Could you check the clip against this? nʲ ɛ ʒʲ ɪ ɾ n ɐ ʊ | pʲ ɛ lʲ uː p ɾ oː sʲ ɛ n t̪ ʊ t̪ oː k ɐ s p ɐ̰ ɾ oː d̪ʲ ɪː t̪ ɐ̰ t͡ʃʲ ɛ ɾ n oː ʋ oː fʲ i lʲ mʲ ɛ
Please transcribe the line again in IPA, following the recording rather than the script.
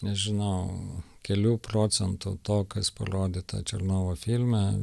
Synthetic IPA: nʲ ɛ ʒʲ ɪ n ɐ ʊ | kʲ ɛ lʲ uː p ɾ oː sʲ ɛ n t̪ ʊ t̪ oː k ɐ s p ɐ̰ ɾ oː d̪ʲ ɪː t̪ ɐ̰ t͡ʃʲ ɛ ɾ n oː ʋ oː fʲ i lʲ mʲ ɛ